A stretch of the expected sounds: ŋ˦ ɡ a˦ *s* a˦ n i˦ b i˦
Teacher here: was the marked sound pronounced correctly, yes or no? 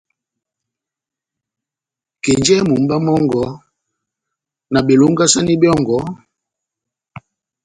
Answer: yes